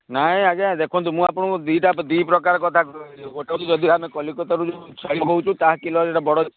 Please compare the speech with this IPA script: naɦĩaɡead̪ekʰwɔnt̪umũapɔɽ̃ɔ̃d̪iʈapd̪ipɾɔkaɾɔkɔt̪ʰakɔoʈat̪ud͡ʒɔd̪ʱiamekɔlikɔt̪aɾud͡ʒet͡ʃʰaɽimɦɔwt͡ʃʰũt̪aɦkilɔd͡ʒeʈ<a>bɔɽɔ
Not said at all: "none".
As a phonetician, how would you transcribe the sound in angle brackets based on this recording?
a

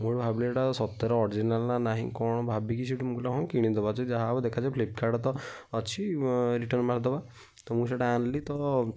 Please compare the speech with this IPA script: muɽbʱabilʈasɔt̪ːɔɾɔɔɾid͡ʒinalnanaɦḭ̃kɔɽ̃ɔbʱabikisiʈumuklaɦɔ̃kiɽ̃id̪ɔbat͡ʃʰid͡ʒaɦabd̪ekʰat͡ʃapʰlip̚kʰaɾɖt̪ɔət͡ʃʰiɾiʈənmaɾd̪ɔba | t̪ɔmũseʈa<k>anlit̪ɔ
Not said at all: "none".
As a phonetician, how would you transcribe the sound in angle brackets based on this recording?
none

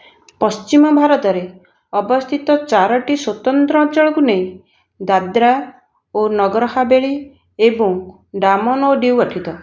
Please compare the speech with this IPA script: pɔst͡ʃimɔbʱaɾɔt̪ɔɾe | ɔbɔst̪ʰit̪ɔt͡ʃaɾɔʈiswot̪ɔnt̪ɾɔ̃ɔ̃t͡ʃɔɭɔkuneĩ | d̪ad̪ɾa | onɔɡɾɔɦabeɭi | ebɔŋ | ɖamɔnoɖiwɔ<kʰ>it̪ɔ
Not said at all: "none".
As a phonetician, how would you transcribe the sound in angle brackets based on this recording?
ʈʰ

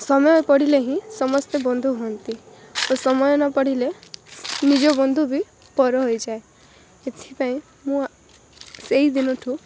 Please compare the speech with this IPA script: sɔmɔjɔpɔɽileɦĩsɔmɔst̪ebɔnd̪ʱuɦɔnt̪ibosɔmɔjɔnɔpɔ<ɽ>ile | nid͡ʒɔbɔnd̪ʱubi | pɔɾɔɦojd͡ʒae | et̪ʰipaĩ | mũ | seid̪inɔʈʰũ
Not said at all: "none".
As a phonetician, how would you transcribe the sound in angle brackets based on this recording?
ɽ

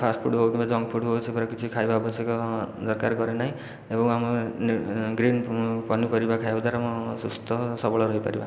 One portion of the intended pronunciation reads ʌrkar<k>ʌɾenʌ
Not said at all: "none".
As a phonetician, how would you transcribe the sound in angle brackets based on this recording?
ɡ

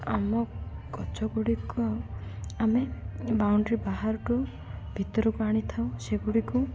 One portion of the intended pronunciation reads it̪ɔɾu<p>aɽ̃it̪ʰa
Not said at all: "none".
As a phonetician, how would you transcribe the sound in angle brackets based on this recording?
k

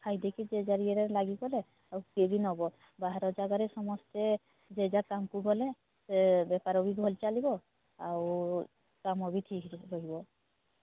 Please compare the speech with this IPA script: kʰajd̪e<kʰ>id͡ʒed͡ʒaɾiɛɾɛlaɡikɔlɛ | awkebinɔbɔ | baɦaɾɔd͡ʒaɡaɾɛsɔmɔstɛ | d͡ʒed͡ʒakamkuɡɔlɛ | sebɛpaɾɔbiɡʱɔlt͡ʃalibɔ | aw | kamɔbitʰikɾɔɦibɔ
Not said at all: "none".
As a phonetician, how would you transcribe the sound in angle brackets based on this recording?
k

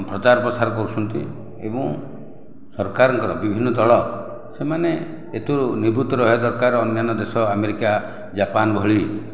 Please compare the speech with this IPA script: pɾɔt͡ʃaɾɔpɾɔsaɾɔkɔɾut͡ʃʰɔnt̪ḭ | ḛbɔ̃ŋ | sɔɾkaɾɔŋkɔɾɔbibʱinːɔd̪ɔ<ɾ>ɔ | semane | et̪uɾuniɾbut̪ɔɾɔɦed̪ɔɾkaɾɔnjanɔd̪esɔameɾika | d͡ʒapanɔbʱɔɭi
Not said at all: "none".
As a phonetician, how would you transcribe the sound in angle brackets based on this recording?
ɭ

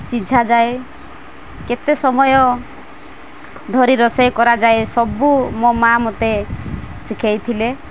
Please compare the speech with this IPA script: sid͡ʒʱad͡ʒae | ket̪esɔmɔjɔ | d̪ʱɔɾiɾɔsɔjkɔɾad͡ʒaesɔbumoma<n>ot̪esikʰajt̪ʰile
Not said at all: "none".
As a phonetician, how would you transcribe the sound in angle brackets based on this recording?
m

